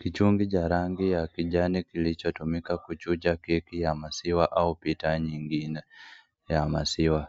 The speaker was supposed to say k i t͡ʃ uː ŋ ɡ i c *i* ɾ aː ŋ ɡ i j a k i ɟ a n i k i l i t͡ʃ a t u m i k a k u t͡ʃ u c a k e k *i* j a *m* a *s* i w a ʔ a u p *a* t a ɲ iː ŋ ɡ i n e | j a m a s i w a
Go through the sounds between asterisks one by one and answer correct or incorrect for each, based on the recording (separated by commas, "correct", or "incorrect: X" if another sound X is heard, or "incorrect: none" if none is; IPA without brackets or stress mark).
incorrect: a, correct, correct, correct, incorrect: i